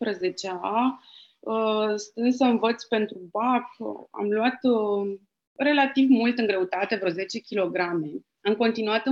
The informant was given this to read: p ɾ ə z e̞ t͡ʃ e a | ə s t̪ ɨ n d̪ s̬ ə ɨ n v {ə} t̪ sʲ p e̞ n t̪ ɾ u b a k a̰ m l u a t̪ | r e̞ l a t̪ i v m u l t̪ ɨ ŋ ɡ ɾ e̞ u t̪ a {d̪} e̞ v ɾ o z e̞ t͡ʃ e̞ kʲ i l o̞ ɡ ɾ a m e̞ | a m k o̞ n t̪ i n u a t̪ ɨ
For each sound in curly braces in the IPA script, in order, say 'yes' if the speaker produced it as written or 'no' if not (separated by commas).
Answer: yes, no